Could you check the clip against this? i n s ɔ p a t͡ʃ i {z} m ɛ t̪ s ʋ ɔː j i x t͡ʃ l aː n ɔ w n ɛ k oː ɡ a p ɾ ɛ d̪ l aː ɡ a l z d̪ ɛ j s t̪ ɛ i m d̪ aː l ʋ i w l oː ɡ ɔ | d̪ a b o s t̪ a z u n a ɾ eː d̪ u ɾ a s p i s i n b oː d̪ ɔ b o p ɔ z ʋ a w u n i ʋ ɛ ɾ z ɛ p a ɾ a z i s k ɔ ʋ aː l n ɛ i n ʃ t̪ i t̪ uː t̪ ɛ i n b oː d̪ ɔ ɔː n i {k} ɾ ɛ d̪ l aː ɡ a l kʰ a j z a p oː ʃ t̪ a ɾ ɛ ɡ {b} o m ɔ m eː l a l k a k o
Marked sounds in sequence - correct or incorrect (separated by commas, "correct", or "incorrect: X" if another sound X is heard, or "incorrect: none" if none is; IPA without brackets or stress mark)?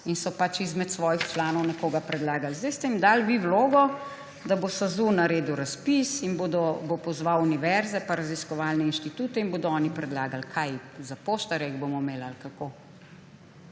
correct, incorrect: p, correct